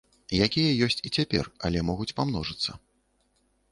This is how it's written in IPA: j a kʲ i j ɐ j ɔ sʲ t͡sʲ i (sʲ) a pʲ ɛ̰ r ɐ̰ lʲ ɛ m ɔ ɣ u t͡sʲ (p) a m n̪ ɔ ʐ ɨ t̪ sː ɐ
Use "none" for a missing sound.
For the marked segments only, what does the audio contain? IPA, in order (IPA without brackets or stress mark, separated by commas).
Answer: t͡sʲ, p